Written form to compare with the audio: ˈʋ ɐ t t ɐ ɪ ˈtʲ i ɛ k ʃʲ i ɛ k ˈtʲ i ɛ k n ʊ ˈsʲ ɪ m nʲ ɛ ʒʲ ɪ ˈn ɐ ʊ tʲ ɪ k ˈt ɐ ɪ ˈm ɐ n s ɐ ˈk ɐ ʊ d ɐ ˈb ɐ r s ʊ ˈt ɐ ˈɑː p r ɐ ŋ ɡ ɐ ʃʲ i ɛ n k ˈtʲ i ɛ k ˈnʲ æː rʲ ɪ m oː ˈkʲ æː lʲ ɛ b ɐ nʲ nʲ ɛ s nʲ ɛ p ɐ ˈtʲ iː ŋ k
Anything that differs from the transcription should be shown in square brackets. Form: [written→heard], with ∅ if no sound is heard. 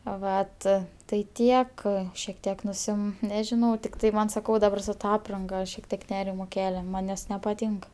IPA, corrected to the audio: ˈʋ ɐ t t ɐ ɪ ˈtʲ i ɛ k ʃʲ i ɛ k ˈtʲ i ɛ k n ʊ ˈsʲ ɪ m nʲ ɛ ʒʲ ɪ ˈn ɐ ʊ tʲ ɪ k ˈt ɐ ɪ ˈm ɐ n s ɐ ˈk ɐ ʊ d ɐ ˈb ɐ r s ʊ ˈt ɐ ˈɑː p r ɐ ŋ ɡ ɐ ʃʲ i ɛ [n→∅] k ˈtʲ i ɛ k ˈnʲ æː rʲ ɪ m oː ˈkʲ æː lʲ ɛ [b→m] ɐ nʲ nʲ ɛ s nʲ ɛ p ɐ ˈtʲ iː ŋ k

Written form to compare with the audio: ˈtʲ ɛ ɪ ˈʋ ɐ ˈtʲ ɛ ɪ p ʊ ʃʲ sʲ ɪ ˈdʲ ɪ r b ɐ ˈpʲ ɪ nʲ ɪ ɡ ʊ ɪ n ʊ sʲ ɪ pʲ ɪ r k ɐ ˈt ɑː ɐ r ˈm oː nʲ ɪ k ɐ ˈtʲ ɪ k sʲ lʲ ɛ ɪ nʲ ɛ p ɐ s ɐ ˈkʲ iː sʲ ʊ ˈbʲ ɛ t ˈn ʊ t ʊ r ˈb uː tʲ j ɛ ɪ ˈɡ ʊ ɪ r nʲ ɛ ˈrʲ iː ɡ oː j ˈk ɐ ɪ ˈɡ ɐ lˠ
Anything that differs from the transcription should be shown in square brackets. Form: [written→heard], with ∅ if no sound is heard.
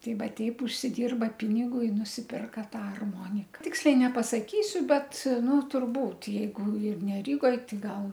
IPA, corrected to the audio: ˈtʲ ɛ ɪ ˈʋ ɐ ˈtʲ ɛ ɪ p ʊ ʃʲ sʲ ɪ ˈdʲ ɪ r b ɐ ˈpʲ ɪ nʲ ɪ ɡ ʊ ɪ n ʊ sʲ ɪ pʲ ɪ r k ɐ ˈt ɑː ɐ r ˈm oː nʲ ɪ k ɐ ˈtʲ ɪ k sʲ lʲ ɛ ɪ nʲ ɛ p ɐ s ɐ ˈkʲ iː sʲ ʊ ˈbʲ ɛ t ˈn ʊ t ʊ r ˈb uː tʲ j ɛ ɪ ˈɡ ʊ ɪ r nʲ ɛ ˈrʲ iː ɡ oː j [ˈk→ˈt] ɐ ɪ ˈɡ ɐ lˠ

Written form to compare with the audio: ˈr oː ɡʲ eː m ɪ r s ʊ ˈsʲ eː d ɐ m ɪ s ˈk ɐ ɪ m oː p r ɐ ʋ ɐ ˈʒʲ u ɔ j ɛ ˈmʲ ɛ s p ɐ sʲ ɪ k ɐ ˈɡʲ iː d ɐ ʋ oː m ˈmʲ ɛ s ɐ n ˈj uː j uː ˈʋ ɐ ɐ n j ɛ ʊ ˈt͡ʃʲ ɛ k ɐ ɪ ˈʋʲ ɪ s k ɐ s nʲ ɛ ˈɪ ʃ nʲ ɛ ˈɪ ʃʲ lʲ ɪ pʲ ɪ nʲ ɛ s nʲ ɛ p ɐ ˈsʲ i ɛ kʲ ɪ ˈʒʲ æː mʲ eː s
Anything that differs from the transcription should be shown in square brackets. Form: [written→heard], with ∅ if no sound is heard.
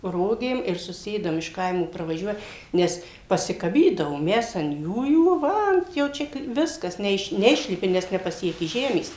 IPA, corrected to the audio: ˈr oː ɡʲ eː m ɪ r s ʊ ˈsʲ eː d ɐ m ɪ [s→ʃ] ˈk ɐ ɪ m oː p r ɐ ʋ ɐ ˈʒʲ u ɔ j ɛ [ˈmʲ→ˈnʲ] ɛ s p ɐ sʲ ɪ k ɐ [ˈɡʲ→ˈbʲ] iː d ɐ ʋ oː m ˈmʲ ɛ s ɐ n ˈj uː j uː ˈʋ ɐ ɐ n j ɛ ʊ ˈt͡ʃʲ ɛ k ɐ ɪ ˈʋʲ ɪ s k ɐ s nʲ ɛ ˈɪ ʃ nʲ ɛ ˈɪ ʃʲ lʲ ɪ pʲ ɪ nʲ ɛ s nʲ ɛ p ɐ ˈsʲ i ɛ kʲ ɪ ˈʒʲ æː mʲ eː s

